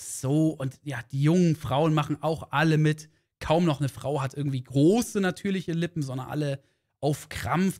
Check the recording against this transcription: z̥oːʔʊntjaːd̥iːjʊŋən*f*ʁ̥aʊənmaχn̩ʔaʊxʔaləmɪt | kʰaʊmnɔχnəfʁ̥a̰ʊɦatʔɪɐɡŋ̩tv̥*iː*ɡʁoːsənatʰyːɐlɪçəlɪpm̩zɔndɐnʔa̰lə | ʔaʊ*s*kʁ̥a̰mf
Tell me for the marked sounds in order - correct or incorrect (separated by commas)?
correct, correct, incorrect